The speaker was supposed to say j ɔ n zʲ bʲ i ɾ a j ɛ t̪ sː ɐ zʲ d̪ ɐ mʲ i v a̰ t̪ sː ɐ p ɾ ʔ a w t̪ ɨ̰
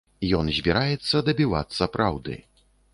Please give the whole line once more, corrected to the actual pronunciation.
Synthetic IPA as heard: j ɔ n zʲ bʲ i ɾ a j ɛ t̪ sː ɐ d̪ ɐ bʲ i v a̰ t̪ sː ɐ p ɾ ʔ a w d̪ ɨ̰